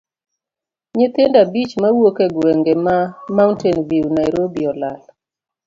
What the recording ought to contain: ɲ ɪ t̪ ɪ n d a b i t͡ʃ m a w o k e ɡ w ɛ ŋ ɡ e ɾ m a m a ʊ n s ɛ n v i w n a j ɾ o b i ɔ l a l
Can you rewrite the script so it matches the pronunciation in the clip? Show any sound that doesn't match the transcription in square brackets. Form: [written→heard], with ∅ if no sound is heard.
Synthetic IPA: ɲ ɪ t̪ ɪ n d a b i t͡ʃ m a w o k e ɡ w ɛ ŋ ɡ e [ɾ→∅] m a m a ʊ n [s→t] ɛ n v i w n a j ɾ o b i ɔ l a l